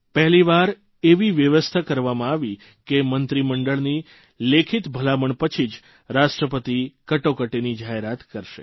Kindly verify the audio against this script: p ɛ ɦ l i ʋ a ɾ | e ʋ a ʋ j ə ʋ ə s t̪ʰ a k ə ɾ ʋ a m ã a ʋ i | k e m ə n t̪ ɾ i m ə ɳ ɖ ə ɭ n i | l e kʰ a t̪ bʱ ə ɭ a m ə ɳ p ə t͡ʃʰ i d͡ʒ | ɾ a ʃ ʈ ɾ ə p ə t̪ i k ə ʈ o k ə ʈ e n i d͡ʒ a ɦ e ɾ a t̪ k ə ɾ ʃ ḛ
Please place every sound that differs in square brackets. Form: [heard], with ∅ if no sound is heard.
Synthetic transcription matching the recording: p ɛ ɦ l i ʋ a ɾ | e ʋ [i] ʋ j ə ʋ ə s t̪ʰ a k ə ɾ ʋ a m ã a ʋ i | k e m ə n t̪ ɾ i m ə ɳ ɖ ə ɭ n i | l e kʰ [i] t̪ bʱ ə [l] a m ə ɳ p ə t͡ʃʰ i d͡ʒ | ɾ a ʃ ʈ ɾ ə p ə t̪ i k ə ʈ o k ə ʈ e n i d͡ʒ a ɦ e ɾ a t̪ k ə ɾ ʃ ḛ